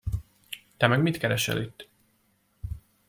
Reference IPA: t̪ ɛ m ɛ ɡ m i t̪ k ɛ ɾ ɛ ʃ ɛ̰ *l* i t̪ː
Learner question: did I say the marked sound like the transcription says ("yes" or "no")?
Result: yes